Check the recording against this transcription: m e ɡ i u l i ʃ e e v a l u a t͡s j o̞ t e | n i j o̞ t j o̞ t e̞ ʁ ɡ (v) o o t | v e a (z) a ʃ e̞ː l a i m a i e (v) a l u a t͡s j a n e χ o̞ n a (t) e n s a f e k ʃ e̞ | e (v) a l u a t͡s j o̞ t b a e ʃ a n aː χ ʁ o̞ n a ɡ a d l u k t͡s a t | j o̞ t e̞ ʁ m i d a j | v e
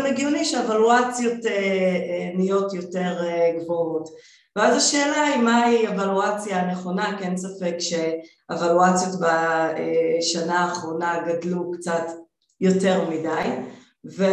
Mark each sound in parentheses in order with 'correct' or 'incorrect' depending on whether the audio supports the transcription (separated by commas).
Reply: correct, correct, correct, incorrect, correct